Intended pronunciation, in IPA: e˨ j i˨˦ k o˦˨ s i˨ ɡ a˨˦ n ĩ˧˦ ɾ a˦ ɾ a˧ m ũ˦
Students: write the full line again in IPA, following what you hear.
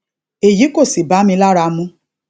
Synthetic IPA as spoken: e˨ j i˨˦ k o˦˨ s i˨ b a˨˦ m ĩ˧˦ l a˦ ɾ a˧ m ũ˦